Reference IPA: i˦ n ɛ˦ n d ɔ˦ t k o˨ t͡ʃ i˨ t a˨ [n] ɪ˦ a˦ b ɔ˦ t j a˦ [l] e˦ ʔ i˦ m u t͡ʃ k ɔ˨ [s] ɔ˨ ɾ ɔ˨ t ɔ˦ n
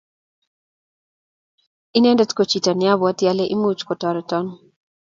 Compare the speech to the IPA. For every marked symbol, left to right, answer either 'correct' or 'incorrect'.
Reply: correct, correct, incorrect

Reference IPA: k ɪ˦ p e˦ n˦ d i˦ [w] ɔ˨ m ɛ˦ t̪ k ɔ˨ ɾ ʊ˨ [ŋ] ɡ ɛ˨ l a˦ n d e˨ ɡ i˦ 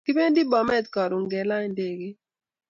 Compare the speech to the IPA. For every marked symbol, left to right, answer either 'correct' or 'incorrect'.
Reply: incorrect, correct

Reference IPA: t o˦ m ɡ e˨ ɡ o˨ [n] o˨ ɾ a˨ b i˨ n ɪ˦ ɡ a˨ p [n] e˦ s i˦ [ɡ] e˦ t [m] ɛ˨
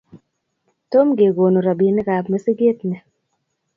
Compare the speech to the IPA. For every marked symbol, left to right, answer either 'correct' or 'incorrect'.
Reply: correct, incorrect, correct, incorrect

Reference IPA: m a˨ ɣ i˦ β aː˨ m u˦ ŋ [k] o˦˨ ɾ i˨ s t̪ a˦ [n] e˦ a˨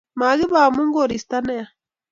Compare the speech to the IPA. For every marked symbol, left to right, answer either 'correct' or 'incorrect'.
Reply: incorrect, correct

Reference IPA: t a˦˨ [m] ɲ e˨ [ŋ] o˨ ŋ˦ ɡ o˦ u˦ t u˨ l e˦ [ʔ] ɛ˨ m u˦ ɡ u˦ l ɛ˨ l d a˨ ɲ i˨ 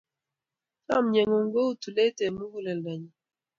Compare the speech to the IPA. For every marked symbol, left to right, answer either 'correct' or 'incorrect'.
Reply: correct, correct, incorrect

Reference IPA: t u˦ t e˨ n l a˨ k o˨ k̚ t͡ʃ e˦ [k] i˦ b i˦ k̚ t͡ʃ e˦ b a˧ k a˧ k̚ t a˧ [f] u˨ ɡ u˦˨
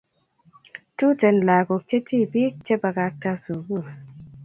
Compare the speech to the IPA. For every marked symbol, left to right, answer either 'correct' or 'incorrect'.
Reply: incorrect, incorrect

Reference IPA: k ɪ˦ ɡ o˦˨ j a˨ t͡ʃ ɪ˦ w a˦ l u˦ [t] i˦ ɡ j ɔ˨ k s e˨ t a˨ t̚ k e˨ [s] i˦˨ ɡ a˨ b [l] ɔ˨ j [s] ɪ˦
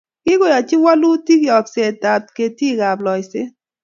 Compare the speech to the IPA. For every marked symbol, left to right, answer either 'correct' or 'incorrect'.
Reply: correct, incorrect, correct, correct

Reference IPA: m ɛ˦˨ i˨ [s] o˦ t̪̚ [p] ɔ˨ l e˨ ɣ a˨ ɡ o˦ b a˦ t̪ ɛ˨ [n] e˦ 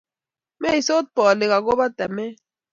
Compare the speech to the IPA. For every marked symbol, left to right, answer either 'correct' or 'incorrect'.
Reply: correct, correct, incorrect

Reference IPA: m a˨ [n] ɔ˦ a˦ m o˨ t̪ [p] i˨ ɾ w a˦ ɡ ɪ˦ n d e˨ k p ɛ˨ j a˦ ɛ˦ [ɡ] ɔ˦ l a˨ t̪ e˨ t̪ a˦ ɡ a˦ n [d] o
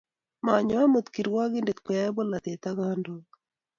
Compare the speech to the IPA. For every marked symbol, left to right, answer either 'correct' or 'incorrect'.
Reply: incorrect, incorrect, incorrect, correct

